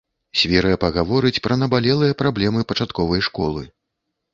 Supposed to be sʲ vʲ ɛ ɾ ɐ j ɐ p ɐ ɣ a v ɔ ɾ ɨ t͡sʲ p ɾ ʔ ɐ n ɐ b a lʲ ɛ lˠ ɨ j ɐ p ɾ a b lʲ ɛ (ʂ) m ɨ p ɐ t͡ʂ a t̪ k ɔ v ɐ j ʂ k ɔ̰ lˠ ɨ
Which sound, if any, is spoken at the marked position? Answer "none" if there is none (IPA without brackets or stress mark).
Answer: none